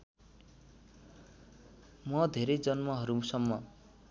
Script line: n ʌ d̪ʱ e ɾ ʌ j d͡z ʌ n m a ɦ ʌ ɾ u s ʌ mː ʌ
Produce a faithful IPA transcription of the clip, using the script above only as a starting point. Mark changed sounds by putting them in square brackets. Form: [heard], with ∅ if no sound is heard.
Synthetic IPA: [m] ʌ d̪ʱ e ɾ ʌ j d͡z ʌ n m [ʌ] ɦ ʌ ɾ u s ʌ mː ʌ